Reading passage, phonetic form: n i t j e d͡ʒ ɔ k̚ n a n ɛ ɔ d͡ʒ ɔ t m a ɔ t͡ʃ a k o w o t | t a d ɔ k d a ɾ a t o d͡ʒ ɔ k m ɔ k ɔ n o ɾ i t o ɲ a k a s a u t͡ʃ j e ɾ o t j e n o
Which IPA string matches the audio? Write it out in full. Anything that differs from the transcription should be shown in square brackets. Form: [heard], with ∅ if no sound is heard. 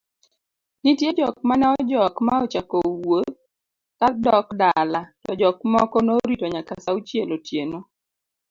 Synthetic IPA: n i t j e d͡ʒ ɔ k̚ [m] a n ɛ ɔ d͡ʒ ɔ [k] m a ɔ t͡ʃ a k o w o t | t a d ɔ k d a [l] a t [ɔ] d͡ʒ ɔ k m ɔ k ɔ n o ɾ i t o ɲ a k a s a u t͡ʃ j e [l] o t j e n o